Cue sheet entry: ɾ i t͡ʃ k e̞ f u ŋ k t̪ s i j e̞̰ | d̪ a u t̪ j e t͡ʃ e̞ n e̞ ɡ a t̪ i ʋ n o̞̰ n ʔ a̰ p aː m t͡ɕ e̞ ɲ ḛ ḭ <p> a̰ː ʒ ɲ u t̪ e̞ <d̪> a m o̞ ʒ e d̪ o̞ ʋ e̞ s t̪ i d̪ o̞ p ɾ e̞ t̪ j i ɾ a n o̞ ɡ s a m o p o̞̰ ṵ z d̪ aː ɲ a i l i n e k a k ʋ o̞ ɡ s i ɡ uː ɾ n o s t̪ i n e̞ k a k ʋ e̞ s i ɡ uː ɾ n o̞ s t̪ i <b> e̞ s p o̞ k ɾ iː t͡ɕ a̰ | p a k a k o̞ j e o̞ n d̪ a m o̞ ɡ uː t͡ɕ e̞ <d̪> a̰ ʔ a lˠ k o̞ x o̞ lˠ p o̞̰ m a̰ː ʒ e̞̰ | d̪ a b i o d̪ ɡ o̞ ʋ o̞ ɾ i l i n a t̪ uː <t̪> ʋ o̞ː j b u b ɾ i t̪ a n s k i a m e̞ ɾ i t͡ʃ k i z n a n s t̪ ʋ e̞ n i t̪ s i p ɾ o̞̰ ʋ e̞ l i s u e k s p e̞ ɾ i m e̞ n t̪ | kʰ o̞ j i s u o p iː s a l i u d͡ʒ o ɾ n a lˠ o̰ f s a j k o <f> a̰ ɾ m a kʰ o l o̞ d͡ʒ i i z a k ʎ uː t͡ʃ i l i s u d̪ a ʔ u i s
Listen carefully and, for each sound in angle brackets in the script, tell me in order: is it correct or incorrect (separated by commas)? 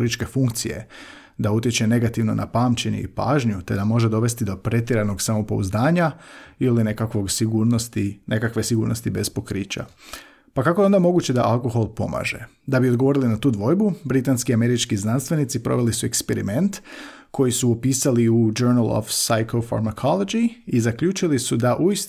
correct, correct, correct, correct, incorrect, correct